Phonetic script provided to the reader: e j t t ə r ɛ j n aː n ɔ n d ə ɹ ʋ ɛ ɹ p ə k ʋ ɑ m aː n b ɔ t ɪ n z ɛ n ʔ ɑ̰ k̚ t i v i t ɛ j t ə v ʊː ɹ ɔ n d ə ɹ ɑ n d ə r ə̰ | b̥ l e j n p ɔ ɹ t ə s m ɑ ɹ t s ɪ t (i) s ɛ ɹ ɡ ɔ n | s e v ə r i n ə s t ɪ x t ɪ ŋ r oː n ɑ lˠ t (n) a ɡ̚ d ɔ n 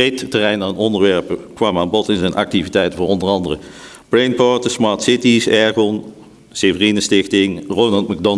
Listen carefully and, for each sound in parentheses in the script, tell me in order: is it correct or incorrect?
correct, incorrect: m

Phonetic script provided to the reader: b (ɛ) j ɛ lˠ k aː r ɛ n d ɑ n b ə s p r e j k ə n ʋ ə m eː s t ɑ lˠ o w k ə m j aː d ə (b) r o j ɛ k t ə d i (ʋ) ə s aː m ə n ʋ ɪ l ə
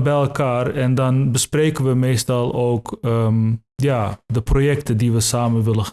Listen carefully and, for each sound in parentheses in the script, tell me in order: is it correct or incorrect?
correct, incorrect: p, correct

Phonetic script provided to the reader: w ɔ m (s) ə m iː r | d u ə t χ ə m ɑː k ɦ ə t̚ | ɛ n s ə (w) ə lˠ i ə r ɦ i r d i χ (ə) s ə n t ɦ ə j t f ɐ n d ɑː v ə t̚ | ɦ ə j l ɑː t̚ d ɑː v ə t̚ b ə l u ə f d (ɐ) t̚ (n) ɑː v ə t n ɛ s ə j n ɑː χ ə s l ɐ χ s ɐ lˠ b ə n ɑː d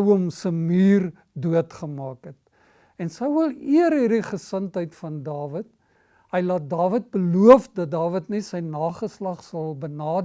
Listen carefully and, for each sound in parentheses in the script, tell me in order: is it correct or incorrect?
correct, correct, correct, correct, incorrect: d

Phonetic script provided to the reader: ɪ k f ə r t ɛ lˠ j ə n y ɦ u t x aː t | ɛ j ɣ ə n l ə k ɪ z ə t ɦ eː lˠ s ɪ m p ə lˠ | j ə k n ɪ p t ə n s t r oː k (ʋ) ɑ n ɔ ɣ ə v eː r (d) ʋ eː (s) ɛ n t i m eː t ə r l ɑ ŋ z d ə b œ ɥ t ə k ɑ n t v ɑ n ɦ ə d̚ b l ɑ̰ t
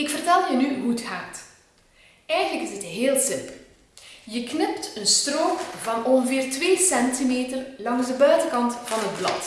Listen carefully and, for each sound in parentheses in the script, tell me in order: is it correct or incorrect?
incorrect: v, incorrect: t, correct

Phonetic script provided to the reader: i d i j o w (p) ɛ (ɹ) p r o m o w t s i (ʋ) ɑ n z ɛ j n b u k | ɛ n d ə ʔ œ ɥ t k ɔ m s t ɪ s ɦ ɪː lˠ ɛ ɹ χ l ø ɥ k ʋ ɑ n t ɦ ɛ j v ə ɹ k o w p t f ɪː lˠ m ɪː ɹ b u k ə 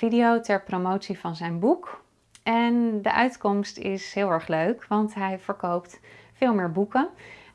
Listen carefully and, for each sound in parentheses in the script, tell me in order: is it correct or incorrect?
incorrect: t, correct, incorrect: v

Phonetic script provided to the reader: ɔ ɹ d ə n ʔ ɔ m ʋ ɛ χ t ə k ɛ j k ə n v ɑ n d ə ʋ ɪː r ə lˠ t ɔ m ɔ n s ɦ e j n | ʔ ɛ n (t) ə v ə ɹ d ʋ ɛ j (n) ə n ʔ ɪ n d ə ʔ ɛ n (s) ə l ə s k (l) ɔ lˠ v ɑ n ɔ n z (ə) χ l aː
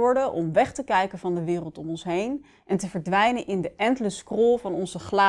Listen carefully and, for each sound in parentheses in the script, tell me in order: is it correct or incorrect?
correct, correct, incorrect: t, incorrect: r, correct

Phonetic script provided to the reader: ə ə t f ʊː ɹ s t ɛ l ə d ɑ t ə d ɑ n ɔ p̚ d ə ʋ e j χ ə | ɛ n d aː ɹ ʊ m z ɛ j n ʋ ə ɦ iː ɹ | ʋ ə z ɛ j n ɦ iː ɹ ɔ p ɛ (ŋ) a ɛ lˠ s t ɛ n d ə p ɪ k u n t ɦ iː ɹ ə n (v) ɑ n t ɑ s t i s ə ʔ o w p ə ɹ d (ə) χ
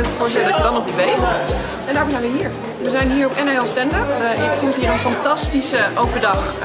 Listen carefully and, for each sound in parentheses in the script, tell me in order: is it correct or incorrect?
incorrect: n, incorrect: f, incorrect: ɑ

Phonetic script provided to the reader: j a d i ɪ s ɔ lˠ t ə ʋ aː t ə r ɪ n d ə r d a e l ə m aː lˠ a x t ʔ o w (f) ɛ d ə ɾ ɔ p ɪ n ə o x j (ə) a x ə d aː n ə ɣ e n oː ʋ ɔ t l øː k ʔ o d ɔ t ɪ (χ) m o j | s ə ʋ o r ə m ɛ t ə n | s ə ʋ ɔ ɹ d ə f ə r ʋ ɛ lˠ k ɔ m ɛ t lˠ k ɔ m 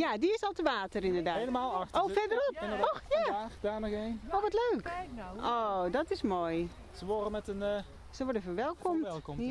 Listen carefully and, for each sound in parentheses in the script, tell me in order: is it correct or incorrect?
correct, incorrect: a, incorrect: s

